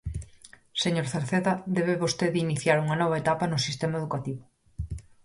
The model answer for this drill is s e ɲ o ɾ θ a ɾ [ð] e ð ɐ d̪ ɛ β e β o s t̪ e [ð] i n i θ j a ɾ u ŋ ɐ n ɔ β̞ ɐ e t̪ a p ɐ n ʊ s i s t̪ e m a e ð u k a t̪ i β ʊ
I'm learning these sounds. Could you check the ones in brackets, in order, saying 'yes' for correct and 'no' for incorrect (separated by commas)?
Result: no, yes